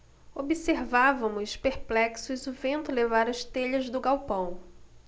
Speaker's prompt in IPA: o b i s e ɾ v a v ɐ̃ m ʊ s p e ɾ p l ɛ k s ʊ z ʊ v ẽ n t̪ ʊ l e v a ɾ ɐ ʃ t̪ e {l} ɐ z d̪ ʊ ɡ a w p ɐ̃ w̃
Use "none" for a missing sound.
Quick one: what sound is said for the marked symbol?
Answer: ʎ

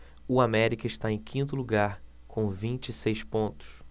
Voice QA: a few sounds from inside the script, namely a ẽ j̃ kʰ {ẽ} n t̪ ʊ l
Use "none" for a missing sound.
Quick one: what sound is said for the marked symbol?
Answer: ĩ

